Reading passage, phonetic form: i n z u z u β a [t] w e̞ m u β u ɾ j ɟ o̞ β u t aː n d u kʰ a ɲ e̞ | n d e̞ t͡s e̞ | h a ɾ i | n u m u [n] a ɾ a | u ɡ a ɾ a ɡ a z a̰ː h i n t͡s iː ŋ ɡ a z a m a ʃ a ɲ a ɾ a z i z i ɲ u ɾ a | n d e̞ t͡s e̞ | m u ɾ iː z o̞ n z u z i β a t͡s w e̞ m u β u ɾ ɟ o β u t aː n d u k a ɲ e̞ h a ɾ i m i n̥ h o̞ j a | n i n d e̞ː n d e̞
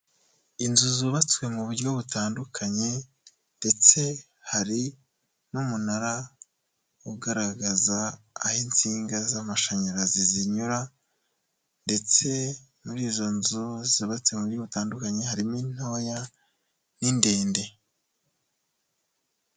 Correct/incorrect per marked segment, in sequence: incorrect, correct

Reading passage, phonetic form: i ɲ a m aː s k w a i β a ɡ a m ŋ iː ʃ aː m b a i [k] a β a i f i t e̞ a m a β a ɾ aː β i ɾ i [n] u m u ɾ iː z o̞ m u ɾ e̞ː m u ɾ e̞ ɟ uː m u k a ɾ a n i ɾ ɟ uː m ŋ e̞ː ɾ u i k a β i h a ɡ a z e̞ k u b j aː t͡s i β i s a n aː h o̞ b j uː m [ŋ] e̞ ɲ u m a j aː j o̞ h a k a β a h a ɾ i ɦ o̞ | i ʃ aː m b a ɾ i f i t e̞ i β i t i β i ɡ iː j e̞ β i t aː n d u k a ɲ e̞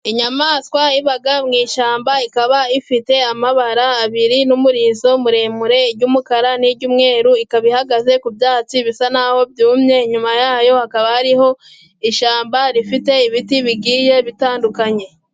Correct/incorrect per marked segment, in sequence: correct, correct, incorrect

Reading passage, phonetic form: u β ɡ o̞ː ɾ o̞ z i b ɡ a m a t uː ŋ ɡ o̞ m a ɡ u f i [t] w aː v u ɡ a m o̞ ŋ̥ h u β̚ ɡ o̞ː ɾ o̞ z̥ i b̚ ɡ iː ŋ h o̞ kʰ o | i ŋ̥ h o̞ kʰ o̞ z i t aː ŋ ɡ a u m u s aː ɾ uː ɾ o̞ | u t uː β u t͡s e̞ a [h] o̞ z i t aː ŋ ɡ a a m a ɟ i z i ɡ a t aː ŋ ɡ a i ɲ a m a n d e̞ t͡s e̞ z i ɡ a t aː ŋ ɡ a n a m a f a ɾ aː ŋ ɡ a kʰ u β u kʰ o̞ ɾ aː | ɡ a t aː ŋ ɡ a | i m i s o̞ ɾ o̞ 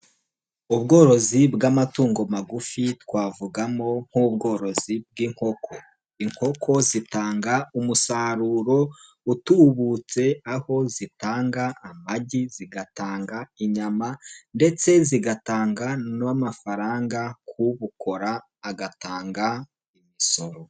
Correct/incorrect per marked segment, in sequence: correct, correct

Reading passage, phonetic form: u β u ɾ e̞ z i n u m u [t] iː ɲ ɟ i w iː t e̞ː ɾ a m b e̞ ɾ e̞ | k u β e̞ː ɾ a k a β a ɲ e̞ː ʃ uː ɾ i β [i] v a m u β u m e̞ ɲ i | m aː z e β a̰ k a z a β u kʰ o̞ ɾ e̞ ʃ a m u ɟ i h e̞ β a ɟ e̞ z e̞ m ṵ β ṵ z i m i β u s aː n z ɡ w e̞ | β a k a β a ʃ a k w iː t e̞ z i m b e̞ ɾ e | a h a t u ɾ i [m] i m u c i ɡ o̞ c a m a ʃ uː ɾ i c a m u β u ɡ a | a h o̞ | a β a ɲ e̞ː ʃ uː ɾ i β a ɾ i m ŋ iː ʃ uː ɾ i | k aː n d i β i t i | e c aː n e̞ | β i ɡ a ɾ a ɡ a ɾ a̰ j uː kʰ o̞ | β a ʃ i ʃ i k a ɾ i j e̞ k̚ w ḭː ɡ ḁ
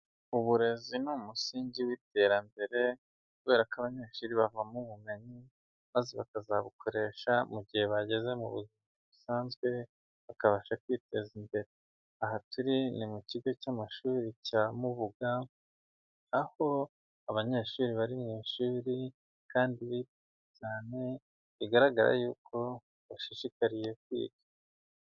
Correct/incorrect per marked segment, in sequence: incorrect, incorrect, incorrect

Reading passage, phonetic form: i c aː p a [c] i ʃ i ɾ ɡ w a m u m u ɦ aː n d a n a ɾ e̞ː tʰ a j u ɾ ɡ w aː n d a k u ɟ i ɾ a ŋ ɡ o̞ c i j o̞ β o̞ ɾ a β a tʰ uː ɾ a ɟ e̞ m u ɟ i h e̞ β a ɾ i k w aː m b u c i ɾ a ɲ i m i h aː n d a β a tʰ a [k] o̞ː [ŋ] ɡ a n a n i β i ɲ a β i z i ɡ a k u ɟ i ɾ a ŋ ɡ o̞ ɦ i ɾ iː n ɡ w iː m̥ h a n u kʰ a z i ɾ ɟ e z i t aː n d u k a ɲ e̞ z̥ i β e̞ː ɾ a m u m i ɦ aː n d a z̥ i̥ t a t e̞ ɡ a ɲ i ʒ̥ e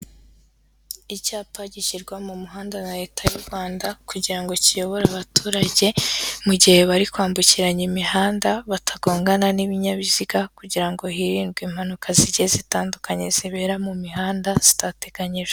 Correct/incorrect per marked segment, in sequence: incorrect, incorrect, correct

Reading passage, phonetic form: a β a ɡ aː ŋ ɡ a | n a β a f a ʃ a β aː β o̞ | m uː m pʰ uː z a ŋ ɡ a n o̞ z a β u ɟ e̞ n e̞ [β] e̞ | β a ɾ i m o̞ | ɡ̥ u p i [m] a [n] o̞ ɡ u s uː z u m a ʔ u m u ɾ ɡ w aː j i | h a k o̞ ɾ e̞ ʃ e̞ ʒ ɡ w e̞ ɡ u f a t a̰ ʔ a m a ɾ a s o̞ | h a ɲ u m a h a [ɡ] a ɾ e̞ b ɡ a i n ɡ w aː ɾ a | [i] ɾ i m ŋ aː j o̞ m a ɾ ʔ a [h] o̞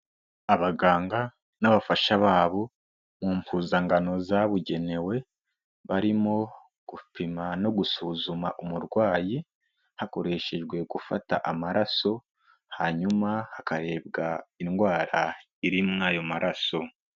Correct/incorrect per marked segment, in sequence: incorrect, correct, correct, incorrect, correct, incorrect

